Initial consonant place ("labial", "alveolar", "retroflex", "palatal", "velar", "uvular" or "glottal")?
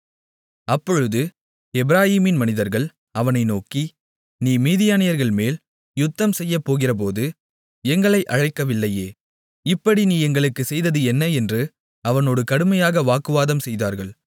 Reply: labial